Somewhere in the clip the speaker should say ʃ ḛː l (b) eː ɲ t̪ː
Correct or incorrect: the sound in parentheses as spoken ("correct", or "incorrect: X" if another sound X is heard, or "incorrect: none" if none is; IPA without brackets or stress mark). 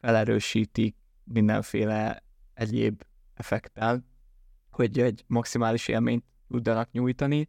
incorrect: m